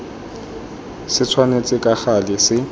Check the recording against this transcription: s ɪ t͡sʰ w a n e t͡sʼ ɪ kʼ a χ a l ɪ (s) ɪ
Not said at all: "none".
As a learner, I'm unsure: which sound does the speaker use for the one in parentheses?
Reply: s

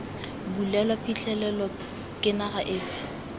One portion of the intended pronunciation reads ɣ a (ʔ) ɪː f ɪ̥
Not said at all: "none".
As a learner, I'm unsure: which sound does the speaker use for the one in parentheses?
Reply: ʔ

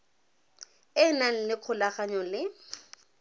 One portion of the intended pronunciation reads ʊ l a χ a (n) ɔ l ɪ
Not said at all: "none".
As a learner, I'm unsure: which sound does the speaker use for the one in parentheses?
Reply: ɲ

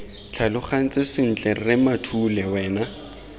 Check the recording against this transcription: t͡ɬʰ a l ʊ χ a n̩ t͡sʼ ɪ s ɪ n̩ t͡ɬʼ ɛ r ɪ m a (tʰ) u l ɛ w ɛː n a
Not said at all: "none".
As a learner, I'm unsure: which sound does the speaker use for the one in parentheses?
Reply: tʰ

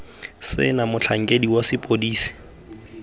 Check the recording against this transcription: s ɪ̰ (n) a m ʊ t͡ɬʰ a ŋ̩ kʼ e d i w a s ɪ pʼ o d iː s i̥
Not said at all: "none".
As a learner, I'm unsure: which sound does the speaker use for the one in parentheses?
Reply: n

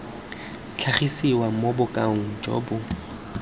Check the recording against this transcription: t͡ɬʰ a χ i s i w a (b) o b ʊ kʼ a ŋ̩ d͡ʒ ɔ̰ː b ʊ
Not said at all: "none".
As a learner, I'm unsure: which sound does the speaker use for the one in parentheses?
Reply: m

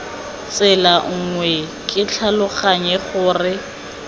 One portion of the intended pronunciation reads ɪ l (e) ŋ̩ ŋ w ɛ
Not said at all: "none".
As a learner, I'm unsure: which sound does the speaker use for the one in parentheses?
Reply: a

